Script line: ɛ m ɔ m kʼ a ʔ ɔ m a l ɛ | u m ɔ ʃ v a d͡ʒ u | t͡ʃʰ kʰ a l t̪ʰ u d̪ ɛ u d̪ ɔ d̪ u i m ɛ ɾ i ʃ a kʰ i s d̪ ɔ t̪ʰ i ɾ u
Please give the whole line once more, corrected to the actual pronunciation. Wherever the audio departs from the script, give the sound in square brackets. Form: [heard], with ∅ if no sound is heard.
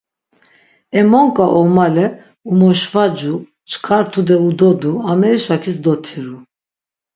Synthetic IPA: ɛ m ɔ [ŋ] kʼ a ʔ ɔ m a l ɛ | u m ɔ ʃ v a d͡ʒ u | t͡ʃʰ kʰ a [ɾ] t̪ʰ u d̪ ɛ u d̪ ɔ d̪ u [a] m ɛ ɾ i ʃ a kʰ i s d̪ ɔ t̪ʰ i ɾ u